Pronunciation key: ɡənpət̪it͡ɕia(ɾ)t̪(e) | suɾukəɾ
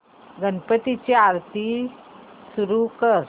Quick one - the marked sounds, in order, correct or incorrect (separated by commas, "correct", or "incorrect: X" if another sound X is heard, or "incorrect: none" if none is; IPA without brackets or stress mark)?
correct, incorrect: i